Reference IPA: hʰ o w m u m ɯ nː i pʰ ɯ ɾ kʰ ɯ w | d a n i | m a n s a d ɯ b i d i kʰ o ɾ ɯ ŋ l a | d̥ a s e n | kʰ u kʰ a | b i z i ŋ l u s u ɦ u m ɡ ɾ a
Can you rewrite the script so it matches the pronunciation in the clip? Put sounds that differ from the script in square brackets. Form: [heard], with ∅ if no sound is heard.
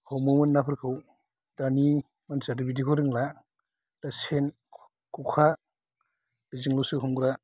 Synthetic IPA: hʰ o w m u m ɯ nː [a] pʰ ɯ ɾ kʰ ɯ w | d a n i | m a n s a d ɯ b i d i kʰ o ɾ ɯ ŋ l a | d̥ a s e n | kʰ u kʰ a | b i z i ŋ l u s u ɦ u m ɡ ɾ a